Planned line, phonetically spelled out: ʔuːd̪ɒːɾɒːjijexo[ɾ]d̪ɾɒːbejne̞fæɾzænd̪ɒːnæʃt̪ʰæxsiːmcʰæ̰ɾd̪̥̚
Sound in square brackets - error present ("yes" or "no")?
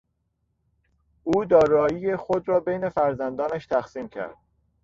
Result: yes